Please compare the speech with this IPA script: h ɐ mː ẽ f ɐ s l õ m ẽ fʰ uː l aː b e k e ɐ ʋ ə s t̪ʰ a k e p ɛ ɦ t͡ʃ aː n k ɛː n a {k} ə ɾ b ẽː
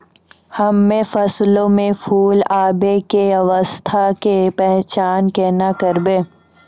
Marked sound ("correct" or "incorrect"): correct